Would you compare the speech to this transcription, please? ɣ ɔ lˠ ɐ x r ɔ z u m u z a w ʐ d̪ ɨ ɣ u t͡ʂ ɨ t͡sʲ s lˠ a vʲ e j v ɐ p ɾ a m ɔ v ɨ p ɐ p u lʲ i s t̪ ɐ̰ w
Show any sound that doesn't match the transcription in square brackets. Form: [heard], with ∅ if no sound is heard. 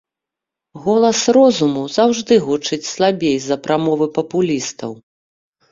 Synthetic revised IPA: ɣ ɔ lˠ ɐ [s] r ɔ z u m u z a w ʐ d̪ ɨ ɣ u t͡ʂ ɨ t͡sʲ s lˠ a [bʲ] e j [z] ɐ p ɾ a m ɔ v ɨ p ɐ p u lʲ i s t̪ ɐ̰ w

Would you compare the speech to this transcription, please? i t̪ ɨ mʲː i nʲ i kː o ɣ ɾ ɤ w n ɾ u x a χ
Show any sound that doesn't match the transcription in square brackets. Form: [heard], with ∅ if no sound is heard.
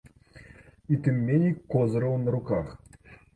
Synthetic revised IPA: i t̪ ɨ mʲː [e] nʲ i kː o [z] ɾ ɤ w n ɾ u [k] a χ

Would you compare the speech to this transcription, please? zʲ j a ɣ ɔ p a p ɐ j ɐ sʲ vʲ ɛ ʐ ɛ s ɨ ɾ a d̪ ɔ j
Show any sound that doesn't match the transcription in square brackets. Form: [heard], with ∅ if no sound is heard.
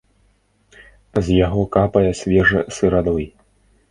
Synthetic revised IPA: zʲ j a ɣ ɔ [k] a p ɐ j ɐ sʲ vʲ ɛ ʐ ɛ s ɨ ɾ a d̪ ɔ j

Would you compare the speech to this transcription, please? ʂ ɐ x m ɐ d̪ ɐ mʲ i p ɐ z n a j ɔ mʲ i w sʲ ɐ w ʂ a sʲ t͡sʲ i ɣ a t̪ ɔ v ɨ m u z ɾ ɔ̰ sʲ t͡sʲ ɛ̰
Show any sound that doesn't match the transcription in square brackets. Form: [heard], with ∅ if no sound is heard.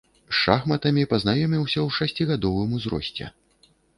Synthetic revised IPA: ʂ [a] x m ɐ [t̪] ɐ mʲ i p ɐ z n a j ɔ mʲ i w sʲ ɐ w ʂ a sʲ t͡sʲ i ɣ a [d̪] ɔ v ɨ m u z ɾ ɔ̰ sʲ t͡sʲ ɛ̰

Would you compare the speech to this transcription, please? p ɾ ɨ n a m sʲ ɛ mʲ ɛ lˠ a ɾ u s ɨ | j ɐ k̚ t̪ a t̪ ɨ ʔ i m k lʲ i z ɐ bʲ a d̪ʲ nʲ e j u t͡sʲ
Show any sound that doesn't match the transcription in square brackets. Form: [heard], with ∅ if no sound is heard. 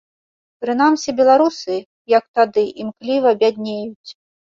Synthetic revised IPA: p ɾ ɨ n a m sʲ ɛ [bʲ] ɛ lˠ a ɾ u s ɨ | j ɐ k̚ t̪ a [d̪] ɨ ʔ i m k lʲ i [v] ɐ bʲ a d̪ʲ nʲ e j u t͡sʲ

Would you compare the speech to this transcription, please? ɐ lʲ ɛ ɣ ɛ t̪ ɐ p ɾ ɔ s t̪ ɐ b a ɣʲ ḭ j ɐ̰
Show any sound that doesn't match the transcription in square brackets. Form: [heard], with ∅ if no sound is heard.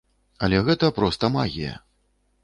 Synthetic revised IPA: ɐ lʲ ɛ ɣ ɛ t̪ ɐ p ɾ ɔ s t̪ ɐ [m] a ɣʲ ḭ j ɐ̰

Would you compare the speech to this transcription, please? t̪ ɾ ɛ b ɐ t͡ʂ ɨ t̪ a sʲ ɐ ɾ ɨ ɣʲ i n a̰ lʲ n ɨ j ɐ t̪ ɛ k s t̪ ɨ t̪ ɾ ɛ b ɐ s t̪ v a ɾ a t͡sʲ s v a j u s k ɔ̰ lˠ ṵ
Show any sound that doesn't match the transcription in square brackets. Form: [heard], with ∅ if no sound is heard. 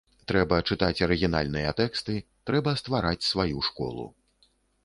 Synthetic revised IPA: t̪ ɾ ɛ b ɐ t͡ʂ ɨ t̪ a [t͡sʲ] ɐ ɾ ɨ ɣʲ i n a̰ lʲ n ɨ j ɐ t̪ ɛ k s t̪ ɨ t̪ ɾ ɛ b ɐ s t̪ v a ɾ a t͡sʲ s v a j u [ʂ] k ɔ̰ lˠ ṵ

